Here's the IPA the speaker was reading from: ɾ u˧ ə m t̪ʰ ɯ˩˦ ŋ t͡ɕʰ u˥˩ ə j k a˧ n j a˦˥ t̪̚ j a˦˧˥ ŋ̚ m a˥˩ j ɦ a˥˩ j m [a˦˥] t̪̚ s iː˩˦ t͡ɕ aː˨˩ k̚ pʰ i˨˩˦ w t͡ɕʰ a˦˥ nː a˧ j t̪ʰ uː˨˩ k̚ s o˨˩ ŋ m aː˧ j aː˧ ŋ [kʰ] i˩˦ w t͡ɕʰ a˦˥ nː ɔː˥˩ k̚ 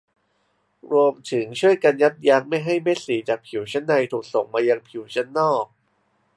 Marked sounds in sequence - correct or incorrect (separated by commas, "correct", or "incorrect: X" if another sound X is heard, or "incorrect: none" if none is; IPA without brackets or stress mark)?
incorrect: e˦˥, incorrect: pʰ